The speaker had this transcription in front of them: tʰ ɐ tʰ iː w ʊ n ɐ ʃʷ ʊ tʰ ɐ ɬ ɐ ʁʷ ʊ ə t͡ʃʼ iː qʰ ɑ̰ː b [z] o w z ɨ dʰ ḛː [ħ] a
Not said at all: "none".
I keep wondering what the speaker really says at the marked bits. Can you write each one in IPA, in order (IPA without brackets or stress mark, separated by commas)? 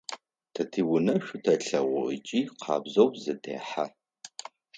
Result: z, ħ